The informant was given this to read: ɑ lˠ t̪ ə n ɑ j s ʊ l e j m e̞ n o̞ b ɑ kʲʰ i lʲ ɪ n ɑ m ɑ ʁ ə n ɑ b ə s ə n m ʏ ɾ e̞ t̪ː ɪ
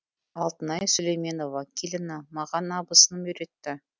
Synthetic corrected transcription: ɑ lˠ t̪ ə n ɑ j s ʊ l e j m e̞ n o̞ v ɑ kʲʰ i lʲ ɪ n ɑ m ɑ ʁ ɑ n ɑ b ə s ə n m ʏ ɾ e̞ t̪ː ɪ